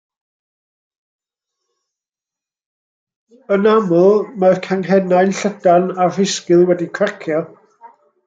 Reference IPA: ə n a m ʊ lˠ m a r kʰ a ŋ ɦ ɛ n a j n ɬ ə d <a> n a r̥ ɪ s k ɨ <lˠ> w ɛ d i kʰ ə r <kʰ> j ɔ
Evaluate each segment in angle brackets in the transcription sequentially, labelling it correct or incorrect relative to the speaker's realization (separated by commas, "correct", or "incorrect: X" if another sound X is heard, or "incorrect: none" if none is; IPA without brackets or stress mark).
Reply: correct, correct, correct